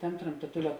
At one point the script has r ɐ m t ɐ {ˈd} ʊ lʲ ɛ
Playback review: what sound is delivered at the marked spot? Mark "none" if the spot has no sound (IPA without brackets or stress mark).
t